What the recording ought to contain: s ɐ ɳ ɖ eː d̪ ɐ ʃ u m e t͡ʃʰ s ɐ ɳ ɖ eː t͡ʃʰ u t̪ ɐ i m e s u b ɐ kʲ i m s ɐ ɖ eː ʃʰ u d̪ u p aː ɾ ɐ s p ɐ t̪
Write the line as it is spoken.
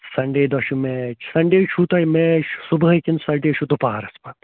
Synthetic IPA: s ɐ ɳ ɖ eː d̪ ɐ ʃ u m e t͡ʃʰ s ɐ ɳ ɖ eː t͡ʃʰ u t̪ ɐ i m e s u b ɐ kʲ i n s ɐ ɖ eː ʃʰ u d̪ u p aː ɾ ɐ s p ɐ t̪